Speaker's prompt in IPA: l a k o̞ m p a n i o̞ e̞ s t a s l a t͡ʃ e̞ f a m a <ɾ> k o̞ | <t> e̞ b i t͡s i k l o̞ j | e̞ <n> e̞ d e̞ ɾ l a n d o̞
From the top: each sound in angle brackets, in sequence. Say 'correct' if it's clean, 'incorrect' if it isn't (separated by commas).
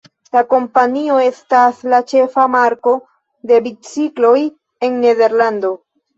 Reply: correct, incorrect, incorrect